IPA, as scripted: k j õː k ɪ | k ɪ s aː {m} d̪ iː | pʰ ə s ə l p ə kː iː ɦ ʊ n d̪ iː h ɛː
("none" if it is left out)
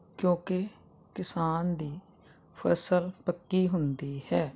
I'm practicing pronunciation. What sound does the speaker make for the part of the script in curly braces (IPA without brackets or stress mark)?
n